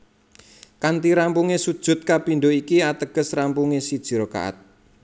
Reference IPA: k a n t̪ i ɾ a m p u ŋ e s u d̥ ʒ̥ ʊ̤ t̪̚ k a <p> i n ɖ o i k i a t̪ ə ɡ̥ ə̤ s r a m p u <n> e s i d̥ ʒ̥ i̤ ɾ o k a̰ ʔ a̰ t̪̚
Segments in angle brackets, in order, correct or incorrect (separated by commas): correct, incorrect